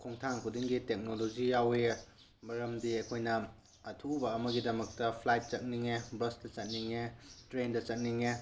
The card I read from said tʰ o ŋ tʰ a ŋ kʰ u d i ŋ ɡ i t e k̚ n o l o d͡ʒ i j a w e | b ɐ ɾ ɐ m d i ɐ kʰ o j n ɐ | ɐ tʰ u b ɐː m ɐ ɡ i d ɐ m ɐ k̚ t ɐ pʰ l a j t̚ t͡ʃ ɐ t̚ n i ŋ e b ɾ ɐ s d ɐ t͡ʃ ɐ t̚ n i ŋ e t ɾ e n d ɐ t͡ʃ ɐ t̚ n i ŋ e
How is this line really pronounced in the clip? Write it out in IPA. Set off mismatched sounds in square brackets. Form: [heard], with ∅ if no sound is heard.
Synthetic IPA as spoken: [kʰ] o ŋ tʰ a ŋ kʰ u d i ŋ ɡ i t e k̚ n o l o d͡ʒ i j a w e | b ɐ ɾ ɐ m d i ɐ kʰ o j n ɐ | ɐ tʰ u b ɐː m ɐ ɡ i d ɐ m ɐ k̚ t ɐ pʰ l a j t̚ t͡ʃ ɐ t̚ n i ŋ e b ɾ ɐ s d ɐ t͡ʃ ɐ t̚ n i ŋ e t ɾ e n d ɐ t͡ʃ ɐ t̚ n i ŋ e

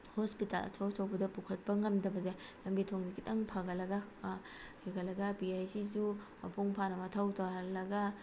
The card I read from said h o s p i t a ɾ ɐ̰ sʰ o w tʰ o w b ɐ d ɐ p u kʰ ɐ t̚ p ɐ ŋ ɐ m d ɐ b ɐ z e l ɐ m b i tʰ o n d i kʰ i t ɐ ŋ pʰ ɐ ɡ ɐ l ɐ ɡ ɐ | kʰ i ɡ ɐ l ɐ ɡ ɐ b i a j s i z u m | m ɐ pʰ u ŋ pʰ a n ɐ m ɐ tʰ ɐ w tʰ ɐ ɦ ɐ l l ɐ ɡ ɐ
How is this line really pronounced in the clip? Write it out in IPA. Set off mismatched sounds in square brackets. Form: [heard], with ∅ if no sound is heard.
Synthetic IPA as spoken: h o s p i t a [l] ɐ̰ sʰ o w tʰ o w b ɐ d ɐ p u kʰ ɐ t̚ p ɐ ŋ ɐ m d ɐ b ɐ z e l ɐ m b i tʰ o [ŋ] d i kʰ i t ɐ ŋ pʰ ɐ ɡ ɐ l ɐ ɡ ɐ | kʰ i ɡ ɐ l ɐ ɡ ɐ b i a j s i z u [∅] | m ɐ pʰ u ŋ pʰ a n ɐ m ɐ tʰ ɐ w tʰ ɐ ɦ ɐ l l ɐ ɡ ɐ

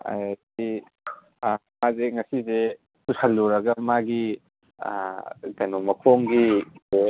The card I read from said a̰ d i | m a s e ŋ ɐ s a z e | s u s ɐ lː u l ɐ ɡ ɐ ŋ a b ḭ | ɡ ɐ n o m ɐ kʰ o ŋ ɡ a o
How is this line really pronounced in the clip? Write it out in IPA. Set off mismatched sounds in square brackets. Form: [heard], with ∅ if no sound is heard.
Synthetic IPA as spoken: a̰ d i | m a [z] e ŋ ɐ s [i] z e | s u s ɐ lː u [ɾ] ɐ ɡ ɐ [m] a [ɡ] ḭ | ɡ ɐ n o m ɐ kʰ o ŋ ɡ [i] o

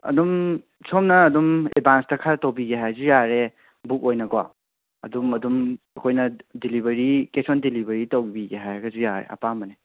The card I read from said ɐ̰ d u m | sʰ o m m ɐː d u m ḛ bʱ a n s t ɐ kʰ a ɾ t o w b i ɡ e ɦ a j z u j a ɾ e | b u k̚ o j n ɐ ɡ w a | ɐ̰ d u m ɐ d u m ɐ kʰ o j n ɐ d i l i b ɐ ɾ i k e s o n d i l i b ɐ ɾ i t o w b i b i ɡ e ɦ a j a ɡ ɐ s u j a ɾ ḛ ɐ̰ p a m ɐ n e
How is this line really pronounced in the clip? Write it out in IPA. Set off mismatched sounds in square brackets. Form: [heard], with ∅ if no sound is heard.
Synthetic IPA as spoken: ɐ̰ d u m | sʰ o m [n] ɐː d u m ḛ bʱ a n s t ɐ kʰ a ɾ t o w b i ɡ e ɦ a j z u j a ɾ e | b u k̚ o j n ɐ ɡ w a | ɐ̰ d u m ɐ d u m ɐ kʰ o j n ɐ d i l i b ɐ ɾ i k e s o n d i l i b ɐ ɾ i t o w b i b i ɡ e ɦ a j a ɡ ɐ [z] u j a ɾ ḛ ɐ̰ p a m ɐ n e

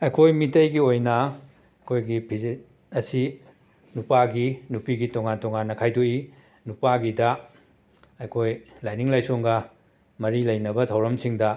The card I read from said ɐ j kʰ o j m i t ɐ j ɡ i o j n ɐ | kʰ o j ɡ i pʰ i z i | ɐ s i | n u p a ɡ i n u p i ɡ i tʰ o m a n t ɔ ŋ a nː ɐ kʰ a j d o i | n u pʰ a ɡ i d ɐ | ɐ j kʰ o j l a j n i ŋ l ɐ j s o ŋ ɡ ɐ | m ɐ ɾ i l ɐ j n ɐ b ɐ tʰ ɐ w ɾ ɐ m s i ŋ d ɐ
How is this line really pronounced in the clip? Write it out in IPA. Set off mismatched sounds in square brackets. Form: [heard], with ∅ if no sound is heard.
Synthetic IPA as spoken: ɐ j kʰ o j m i t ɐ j ɡ i o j n ɐ | kʰ o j ɡ i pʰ i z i | ɐ s i | n u p a ɡ i n u p i ɡ i [t] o [ŋ] a n t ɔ ŋ a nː ɐ kʰ a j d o i | n u [p] a ɡ i d ɐ | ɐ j kʰ o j l a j n i ŋ l [a] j s o ŋ ɡ ɐ | m ɐ ɾ i l ɐ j n ɐ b ɐ tʰ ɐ w ɾ ɐ m s i ŋ d ɐ

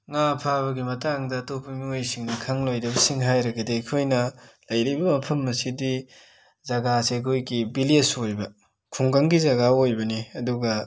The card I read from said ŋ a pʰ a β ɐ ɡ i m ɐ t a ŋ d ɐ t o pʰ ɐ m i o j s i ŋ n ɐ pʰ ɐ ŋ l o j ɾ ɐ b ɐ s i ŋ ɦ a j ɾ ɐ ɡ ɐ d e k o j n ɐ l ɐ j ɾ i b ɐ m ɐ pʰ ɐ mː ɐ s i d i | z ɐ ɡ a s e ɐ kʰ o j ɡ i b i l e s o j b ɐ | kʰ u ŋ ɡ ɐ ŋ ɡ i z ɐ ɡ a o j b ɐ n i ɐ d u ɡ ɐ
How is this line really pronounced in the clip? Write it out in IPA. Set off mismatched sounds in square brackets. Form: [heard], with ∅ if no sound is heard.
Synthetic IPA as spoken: ŋ a pʰ a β ɐ ɡ i m ɐ t a ŋ d ɐ t o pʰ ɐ m i o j s i ŋ n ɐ [kʰ] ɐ ŋ l o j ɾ ɐ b ɐ s i ŋ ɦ a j ɾ ɐ ɡ ɐ d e [kʰ] o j n ɐ l ɐ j ɾ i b ɐ m ɐ pʰ ɐ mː ɐ s i d i | z ɐ ɡ a s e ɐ kʰ o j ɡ i b i l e s o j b ɐ | kʰ u ŋ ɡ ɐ ŋ ɡ i z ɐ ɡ a o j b ɐ n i ɐ d u ɡ ɐ

